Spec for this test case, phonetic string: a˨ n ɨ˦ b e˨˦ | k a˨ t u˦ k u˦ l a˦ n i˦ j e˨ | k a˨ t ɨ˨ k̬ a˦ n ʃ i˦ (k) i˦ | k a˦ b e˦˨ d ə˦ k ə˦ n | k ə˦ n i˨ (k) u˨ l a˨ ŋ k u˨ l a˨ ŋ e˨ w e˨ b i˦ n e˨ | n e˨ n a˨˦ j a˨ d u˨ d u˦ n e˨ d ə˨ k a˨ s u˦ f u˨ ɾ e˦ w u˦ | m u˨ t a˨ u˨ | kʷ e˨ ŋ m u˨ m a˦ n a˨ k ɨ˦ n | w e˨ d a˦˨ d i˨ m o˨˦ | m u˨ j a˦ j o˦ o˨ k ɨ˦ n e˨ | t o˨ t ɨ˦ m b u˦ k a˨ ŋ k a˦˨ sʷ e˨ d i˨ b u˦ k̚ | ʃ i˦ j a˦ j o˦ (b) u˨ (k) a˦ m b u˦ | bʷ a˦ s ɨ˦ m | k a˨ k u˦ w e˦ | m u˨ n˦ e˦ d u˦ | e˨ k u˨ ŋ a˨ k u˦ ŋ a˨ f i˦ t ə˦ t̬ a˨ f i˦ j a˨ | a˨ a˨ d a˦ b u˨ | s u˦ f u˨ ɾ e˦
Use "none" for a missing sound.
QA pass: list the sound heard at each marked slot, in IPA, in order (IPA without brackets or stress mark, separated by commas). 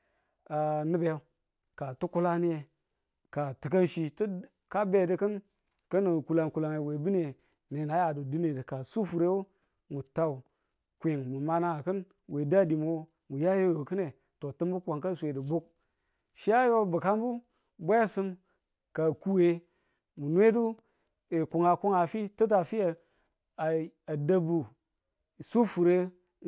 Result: t, k, b, k